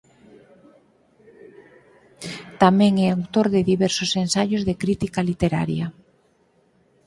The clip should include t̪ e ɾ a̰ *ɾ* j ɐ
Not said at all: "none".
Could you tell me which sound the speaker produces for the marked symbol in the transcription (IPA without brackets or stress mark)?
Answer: ɾ